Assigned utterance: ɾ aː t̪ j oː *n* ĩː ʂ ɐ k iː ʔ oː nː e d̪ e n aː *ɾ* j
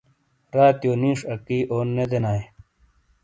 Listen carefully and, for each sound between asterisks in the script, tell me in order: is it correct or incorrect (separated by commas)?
correct, incorrect